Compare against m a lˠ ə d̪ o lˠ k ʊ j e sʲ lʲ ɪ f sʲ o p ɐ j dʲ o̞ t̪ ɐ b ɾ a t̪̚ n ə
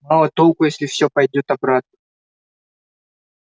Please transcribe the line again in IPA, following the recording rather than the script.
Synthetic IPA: m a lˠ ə t̪ o lˠ k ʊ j e sʲ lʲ ɪ f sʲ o p ɐ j dʲ o̞ t̪ ɐ b ɾ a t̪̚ n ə